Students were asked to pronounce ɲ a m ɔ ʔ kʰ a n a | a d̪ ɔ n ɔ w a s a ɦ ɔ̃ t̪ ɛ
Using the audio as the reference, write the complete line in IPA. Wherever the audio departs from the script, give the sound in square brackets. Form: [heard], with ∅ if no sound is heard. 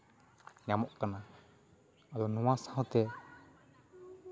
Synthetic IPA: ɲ a m ɔ ʔ [k] a n a | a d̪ ɔ n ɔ w a s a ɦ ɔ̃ t̪ ɛ